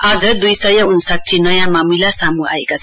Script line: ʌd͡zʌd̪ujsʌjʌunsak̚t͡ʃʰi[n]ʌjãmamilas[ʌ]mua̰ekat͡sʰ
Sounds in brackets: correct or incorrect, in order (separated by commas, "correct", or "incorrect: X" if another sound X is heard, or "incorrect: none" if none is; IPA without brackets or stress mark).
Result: correct, incorrect: a